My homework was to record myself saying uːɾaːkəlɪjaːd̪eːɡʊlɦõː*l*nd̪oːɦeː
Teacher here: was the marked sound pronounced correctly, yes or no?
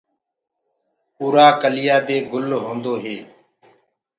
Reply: no